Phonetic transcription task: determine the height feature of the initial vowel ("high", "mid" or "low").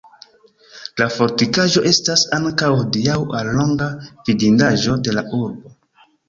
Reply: low